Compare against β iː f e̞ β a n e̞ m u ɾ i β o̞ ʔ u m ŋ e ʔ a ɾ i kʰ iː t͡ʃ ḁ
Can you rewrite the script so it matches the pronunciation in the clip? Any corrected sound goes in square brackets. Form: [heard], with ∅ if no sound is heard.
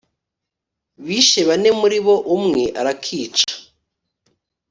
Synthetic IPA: β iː [ʃ] e̞ β a n e̞ m u ɾ i β o̞ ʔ u m ŋ e ʔ a ɾ [a] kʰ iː t͡ʃ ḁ

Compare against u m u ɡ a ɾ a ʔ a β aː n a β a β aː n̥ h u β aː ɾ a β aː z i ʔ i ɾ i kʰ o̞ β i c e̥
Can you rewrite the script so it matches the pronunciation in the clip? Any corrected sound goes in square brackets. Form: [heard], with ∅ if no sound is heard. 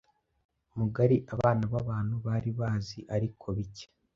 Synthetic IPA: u m u ɡ a ɾ [i] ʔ a β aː n a β a β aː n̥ h u β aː ɾ [i] β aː z i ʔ [a] ɾ i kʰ o̞ β i c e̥

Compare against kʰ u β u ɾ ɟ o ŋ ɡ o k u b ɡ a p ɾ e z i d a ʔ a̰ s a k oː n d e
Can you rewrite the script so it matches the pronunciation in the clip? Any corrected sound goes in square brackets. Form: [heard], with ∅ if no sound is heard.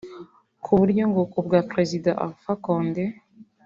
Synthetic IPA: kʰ u β u ɾ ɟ o ŋ ɡ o k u b ɡ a p ɾ e z i d a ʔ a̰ [f] a k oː n d e

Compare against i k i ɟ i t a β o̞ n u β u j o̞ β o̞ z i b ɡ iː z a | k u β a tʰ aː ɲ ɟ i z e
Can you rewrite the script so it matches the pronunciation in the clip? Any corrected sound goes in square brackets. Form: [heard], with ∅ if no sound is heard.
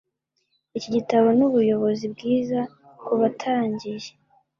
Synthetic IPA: i [c] i ɟ i t a β o̞ n u β u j o̞ β o̞ z i b ɡ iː z a | k u β a tʰ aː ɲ ɟ i [ʒ] e

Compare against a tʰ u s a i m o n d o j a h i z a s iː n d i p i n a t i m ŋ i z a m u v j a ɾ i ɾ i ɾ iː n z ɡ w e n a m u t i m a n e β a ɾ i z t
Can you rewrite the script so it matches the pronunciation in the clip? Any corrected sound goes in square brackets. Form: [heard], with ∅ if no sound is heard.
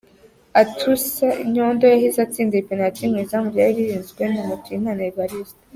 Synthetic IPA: a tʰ u s a i [ɲ] o n d o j a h i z a [t͡s] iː n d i p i n a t i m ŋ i z a m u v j a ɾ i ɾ i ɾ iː n z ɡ w e n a m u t i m a n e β a ɾ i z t

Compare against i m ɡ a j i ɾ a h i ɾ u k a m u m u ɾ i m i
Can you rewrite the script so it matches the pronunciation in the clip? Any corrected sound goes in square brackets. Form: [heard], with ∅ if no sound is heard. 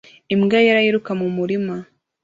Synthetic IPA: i m ɡ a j [a] ɾ a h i ɾ u k a m u m u ɾ i m [a]

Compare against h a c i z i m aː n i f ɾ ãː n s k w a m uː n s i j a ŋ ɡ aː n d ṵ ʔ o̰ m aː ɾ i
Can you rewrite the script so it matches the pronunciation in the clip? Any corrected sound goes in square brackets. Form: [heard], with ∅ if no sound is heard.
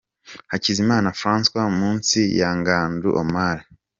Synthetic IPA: h a c i z i m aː n [a] f ɾ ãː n s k w a m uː n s i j a ŋ ɡ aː n d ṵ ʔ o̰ m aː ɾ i

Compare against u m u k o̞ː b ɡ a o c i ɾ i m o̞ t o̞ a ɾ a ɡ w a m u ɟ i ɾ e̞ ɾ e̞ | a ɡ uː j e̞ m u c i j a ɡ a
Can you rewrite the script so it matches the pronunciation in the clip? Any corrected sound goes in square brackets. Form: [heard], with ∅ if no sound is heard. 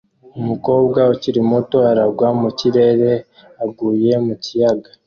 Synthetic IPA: u m u k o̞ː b ɡ a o c i ɾ i m o̞ t o̞ a ɾ a ɡ w a m u [c] i ɾ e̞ ɾ e̞ | a ɡ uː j e̞ m u c i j a ɡ a

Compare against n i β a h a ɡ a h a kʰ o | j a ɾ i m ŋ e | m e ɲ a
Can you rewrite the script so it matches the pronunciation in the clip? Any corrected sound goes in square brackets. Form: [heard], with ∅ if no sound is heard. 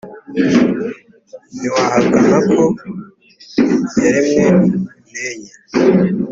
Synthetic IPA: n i [w] a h a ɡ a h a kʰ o | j a ɾ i m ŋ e | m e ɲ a

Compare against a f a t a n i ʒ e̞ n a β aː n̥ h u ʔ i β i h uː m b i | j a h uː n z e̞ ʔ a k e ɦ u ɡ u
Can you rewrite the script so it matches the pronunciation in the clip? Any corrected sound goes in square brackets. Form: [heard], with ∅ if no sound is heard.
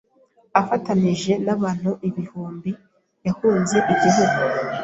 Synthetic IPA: a f a t a n i ʒ e̞ n a β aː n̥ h u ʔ i β i h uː m b i | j a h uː n z e̞ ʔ [i] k [i] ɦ u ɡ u

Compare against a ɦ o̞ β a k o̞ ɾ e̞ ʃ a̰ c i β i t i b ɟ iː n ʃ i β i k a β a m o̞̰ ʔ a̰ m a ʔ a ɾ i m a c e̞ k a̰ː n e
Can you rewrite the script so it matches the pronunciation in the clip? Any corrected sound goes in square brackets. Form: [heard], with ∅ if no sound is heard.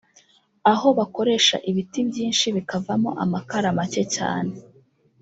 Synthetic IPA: a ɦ o̞ β a k o̞ ɾ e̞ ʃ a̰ [ʔ] i β i t i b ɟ iː n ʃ i β i k a [v] a m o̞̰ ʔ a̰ m a [k] a ɾ [a] m a c e̞ [c] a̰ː n e

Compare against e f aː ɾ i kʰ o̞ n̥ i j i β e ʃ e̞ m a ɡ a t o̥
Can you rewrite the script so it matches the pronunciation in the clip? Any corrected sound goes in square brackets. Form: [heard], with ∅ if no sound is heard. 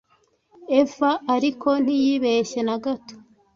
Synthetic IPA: e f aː ɾ i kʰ o̞ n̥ i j i β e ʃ e̞ [n] a ɡ a t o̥

